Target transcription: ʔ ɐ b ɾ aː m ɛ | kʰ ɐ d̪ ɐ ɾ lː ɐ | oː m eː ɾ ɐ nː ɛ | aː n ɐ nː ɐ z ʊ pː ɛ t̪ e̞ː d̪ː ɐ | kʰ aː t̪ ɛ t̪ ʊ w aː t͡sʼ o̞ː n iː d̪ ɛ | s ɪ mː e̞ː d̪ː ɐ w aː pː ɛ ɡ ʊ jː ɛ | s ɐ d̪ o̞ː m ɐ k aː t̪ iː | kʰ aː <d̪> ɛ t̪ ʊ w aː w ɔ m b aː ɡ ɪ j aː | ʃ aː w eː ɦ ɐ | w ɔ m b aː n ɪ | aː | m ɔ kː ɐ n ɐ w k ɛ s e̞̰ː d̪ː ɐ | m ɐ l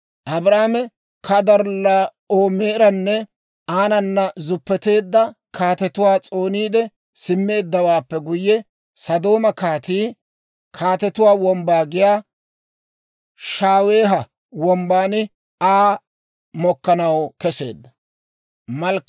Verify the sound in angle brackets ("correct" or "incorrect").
incorrect